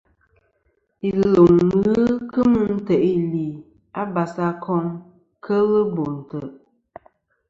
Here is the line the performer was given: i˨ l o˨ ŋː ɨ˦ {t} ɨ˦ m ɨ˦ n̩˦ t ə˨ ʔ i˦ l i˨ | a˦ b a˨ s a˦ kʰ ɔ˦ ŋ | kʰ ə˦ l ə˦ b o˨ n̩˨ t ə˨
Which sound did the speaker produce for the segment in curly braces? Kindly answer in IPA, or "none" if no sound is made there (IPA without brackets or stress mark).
k